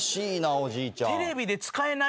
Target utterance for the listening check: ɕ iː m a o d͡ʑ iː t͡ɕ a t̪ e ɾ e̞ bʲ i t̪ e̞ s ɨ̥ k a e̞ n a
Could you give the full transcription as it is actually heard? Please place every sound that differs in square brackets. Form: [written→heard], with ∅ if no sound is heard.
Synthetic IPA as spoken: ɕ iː [m→n] a o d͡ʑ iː t͡ɕ a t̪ e ɾ e̞ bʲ i [t̪→d̪] e̞ [s→t͡s] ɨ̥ k a e̞ n a